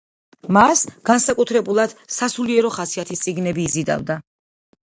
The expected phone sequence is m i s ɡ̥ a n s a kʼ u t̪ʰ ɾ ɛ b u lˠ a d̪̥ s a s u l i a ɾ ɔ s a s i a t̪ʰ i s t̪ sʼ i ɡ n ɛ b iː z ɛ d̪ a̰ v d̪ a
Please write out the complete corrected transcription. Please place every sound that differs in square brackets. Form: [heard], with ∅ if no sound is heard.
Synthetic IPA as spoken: m [a] s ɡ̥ a n s a kʼ u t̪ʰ ɾ ɛ b u lˠ a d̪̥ s a s u l i [ɛ] ɾ ɔ [χ] a s i a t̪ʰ i s t̪ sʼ i ɡ n ɛ b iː z [i] d̪ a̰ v d̪ a